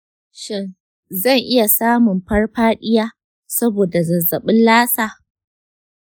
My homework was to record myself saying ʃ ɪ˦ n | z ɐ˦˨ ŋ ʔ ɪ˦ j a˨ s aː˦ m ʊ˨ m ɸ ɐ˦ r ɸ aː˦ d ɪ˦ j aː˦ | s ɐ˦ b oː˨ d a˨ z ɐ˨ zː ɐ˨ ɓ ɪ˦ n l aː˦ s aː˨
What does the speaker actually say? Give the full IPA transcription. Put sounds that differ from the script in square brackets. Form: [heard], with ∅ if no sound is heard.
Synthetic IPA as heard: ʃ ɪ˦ n | z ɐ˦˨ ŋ ʔ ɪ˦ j a˨ s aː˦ m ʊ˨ m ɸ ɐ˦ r ɸ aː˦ [ɗ] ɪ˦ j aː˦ | s ɐ˦ b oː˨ d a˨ z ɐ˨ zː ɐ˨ ɓ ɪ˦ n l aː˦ s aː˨